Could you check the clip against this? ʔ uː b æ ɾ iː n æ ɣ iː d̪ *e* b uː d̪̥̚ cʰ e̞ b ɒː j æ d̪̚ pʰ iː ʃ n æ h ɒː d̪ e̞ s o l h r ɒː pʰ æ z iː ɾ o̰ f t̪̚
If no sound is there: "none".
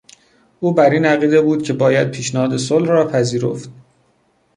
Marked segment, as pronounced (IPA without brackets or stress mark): e